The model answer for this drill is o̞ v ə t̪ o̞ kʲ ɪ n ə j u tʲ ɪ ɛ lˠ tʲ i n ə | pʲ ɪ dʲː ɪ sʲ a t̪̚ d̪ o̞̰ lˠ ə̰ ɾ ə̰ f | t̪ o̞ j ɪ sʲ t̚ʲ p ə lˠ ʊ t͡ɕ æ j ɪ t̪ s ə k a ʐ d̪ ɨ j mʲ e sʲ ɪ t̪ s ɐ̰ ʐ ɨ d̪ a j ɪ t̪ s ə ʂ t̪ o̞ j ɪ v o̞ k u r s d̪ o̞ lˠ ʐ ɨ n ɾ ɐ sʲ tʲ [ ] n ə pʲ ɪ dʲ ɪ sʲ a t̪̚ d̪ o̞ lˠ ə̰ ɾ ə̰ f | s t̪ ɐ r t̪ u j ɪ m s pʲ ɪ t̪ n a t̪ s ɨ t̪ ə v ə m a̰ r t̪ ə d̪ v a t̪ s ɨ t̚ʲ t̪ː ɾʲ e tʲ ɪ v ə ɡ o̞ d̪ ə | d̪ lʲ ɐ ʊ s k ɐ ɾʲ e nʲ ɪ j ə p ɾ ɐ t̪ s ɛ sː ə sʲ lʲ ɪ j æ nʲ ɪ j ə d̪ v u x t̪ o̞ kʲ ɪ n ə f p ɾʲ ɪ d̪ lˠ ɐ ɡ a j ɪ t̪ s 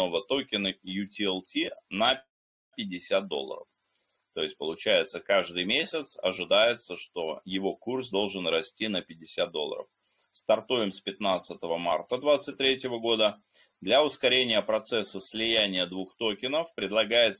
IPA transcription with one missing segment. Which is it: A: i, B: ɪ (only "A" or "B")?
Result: A